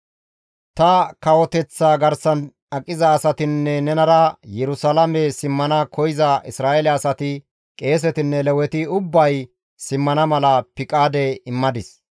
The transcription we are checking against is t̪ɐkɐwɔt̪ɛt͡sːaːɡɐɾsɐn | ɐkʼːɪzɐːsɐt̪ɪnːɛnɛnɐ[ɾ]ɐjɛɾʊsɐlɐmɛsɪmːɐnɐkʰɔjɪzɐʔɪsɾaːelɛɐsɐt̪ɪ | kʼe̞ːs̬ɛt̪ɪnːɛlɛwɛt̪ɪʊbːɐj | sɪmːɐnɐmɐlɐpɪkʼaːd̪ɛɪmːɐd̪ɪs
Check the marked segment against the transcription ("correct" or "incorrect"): correct